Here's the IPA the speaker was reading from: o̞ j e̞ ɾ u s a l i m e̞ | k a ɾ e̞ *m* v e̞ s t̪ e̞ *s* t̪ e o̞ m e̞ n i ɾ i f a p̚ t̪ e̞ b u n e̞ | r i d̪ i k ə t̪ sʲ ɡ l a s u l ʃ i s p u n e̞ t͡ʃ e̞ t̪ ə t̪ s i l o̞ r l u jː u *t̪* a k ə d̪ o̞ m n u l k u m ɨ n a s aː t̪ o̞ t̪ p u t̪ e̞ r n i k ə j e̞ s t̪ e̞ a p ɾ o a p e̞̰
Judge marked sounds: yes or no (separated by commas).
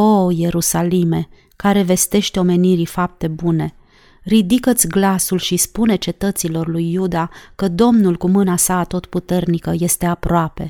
no, no, no